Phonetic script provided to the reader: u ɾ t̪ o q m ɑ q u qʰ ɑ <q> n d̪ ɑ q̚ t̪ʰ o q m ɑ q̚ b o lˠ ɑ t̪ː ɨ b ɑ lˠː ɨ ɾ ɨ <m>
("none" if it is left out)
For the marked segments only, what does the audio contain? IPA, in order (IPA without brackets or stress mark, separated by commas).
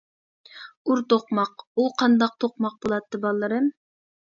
none, m